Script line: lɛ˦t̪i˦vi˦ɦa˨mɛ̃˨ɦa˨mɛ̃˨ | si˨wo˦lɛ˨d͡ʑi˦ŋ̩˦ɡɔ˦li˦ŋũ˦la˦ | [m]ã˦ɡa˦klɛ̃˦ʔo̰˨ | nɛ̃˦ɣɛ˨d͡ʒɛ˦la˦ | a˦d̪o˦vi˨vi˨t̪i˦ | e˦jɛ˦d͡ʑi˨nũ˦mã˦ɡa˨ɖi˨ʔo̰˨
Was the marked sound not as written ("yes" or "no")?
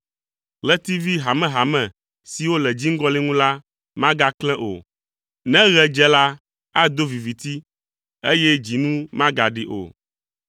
no